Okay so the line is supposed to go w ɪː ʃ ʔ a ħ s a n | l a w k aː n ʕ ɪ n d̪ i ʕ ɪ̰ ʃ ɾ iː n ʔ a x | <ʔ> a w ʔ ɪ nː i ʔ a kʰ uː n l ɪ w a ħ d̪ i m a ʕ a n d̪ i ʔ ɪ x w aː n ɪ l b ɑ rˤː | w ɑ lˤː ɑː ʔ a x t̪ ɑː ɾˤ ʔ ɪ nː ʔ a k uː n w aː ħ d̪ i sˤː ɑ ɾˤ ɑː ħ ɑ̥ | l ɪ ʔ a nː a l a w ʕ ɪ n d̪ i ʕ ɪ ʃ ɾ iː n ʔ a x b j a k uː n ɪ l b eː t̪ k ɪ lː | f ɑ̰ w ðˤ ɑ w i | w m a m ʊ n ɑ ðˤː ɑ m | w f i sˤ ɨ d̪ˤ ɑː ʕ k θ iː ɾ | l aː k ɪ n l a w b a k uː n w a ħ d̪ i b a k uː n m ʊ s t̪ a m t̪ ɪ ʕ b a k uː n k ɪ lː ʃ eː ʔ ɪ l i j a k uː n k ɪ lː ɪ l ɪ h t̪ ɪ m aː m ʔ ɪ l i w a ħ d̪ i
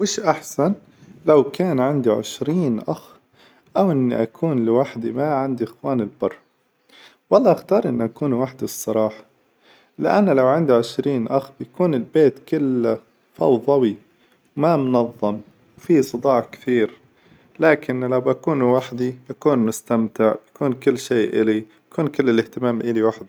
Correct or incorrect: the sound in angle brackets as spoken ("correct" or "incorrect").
correct